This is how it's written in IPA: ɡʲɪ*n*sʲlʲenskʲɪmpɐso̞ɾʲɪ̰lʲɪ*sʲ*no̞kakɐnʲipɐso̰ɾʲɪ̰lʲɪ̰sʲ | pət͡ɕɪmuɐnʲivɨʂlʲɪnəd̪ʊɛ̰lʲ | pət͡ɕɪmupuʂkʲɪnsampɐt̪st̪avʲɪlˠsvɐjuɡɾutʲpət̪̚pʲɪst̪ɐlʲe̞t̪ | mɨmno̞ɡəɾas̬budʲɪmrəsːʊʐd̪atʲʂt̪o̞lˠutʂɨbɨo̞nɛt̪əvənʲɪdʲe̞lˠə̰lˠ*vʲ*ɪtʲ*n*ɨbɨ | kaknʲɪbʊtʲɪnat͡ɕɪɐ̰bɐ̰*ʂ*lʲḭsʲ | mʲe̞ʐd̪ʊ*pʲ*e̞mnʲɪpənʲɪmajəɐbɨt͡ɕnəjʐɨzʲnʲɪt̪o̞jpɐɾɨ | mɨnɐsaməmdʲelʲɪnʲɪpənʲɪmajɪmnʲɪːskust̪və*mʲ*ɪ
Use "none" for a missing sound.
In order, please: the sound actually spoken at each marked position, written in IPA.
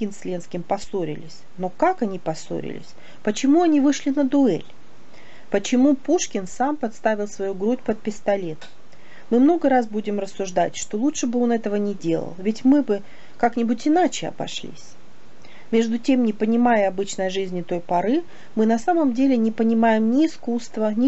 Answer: n, sʲ, vʲ, m, ʂ, tʲ, nʲ

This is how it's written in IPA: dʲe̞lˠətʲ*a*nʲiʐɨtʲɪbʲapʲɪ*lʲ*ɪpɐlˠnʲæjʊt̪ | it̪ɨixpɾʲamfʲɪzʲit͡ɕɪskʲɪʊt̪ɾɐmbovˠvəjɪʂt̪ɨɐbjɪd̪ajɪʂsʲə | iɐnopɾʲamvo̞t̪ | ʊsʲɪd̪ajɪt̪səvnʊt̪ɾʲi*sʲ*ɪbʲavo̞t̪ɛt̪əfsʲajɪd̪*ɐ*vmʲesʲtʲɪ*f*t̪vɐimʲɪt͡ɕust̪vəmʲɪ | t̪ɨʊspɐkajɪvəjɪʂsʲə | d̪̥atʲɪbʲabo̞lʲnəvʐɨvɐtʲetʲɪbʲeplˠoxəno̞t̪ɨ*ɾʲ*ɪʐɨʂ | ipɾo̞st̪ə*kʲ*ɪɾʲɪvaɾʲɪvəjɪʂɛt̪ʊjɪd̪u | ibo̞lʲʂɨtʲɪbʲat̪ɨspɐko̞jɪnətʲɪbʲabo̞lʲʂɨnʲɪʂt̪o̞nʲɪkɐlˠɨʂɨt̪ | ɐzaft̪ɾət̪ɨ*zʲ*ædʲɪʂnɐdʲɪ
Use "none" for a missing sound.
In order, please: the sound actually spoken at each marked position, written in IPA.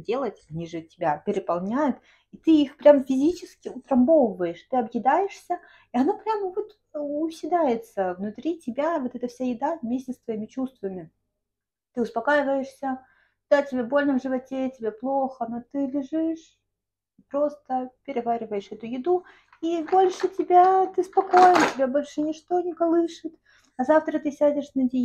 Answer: ɐ, ɾʲ, tʲ, a, s, lʲ, pʲ, sʲ

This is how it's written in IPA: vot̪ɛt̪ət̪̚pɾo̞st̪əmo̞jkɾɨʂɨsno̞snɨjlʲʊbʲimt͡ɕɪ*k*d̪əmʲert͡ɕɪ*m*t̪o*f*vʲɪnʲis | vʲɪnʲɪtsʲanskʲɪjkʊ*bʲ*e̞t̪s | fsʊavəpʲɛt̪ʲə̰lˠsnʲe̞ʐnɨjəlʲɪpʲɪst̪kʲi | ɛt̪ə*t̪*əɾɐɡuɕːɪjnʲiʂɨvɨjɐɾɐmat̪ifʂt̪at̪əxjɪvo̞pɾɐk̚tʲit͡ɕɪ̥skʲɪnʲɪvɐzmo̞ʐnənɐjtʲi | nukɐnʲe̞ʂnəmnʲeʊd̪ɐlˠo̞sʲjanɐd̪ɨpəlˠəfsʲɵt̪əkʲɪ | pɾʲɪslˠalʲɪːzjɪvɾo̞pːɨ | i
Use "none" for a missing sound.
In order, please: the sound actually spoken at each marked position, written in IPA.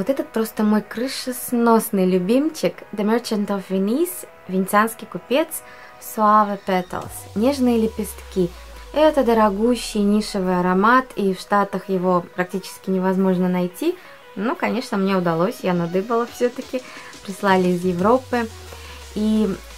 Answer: k, n, f, pʲ, d̪

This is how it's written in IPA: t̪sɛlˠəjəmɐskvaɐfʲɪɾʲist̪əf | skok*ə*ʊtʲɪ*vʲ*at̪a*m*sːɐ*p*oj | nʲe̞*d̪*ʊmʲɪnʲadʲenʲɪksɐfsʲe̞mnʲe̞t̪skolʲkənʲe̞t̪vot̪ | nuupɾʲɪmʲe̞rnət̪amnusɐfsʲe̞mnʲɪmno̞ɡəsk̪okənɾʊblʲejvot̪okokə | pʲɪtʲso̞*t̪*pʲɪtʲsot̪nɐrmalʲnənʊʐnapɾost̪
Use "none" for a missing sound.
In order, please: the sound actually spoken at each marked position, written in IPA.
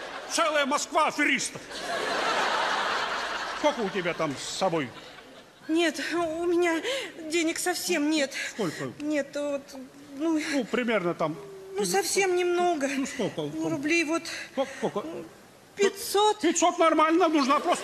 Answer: ə, bʲ, m, b, t̪, t̪

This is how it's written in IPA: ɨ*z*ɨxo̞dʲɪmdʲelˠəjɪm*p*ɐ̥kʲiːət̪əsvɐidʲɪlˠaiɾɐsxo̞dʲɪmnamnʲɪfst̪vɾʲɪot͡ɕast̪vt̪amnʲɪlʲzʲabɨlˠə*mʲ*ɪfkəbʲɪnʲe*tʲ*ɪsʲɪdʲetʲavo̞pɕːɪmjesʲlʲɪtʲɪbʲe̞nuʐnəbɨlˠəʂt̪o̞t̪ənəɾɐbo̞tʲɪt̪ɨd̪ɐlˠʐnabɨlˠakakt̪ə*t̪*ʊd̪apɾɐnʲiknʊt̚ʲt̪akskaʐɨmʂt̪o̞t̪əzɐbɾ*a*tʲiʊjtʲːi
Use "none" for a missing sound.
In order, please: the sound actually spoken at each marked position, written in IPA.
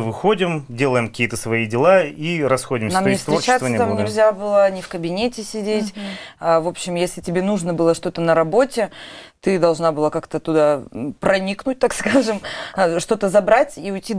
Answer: v, k, nʲ, tʲ, t̪, a

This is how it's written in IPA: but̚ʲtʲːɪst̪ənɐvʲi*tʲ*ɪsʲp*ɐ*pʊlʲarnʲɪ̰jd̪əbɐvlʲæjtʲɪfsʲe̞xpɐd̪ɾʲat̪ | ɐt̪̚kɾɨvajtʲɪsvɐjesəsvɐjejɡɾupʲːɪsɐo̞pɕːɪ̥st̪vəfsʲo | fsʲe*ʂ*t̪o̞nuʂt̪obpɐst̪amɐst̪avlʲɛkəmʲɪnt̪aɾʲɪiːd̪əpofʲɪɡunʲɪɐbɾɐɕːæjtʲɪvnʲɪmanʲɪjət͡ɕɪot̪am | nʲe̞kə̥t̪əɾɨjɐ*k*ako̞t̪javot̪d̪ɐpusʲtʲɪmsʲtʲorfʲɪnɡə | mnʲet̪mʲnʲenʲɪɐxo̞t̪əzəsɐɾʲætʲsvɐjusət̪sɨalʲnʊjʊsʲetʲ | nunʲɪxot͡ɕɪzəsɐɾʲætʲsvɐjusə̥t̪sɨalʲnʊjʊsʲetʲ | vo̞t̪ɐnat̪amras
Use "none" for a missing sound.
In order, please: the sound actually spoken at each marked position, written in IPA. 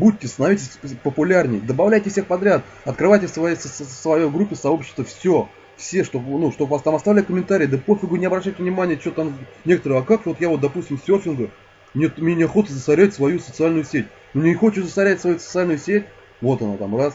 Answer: tʲ, ə, ʂ, k

